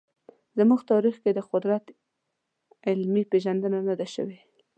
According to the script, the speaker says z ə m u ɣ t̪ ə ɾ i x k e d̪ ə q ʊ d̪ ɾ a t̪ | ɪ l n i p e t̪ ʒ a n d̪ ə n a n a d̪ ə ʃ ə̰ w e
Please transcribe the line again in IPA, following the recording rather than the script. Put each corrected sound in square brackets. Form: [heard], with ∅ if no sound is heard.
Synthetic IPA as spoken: z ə m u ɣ t̪ [ɑ] ɾ i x k e d̪ ə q ʊ d̪ ɾ a t̪ | ɪ l [m] i p e [∅] ʒ a n d̪ ə n a n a d̪ [a] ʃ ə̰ w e